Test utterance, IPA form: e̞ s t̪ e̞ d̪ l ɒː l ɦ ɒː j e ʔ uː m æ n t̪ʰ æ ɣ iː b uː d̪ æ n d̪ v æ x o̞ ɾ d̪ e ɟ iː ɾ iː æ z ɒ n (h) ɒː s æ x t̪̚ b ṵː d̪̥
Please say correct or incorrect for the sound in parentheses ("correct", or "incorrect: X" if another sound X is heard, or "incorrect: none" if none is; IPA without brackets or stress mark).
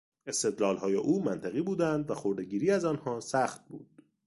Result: correct